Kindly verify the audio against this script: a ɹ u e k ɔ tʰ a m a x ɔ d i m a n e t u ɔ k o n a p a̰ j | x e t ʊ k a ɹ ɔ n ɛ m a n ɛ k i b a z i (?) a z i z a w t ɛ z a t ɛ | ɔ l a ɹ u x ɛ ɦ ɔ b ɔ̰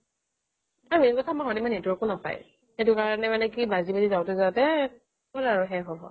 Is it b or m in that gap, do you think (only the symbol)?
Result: b